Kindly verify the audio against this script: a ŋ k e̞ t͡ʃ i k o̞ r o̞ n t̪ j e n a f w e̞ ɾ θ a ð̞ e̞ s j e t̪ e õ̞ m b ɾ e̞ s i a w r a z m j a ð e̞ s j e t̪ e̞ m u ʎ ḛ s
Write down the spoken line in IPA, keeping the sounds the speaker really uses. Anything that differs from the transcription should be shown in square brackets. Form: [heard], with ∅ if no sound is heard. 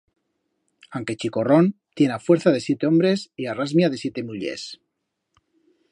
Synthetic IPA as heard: a ŋ k e̞ t͡ʃ i k o̞ r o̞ n t̪ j e n a f w e̞ ɾ θ a ð̞ e̞ s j e t̪ e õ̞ m b ɾ e̞ s i a [∅] r a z m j a ð e̞ s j e t̪ e̞ m u ʎ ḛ s

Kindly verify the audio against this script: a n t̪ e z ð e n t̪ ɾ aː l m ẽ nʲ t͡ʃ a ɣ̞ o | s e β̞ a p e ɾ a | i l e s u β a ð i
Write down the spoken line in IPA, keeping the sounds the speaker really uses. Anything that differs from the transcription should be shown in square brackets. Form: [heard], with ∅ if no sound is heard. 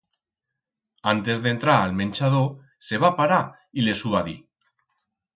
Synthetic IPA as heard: a n t̪ e z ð e n t̪ ɾ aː l m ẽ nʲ t͡ʃ a [ð̞] o | s e β̞ a p [a] ɾ a | i l e s u β a ð i

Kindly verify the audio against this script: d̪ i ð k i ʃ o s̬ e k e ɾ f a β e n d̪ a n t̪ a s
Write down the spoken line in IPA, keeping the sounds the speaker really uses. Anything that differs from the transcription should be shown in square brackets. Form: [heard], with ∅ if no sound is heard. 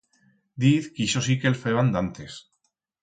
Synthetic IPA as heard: d̪ i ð k i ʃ o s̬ [i] k e [l] f [e] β [a] n d̪ a n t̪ [e] s

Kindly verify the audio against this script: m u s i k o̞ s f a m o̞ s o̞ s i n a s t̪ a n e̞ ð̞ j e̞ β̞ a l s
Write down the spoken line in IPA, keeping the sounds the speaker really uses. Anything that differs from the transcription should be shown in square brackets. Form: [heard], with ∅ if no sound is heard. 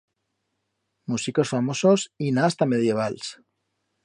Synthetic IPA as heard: m u s i k o̞ s f a m o̞ s o̞ s i n a s t̪ a [m] e̞ ð̞ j e̞ β̞ a l s

